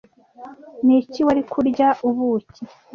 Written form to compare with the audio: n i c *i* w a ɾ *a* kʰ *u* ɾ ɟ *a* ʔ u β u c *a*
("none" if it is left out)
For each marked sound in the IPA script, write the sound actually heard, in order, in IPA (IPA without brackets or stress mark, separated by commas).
i, i, u, a, i